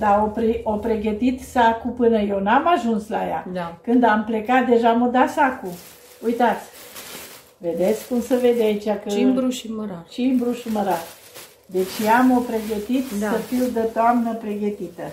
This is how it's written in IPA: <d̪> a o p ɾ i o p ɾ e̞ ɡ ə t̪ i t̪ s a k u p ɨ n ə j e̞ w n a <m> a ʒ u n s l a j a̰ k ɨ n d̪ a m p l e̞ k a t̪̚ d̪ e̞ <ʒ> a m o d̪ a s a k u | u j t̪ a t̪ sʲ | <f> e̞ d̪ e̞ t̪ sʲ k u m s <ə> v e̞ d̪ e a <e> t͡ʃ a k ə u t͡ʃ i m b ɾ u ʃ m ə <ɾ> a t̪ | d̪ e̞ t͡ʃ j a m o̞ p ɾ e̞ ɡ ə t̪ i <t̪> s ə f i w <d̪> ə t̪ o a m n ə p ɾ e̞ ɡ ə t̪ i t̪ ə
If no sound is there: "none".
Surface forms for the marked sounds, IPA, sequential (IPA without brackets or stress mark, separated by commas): d̪, m, ʒ, v, ə, i, ɾ, t̪, d̪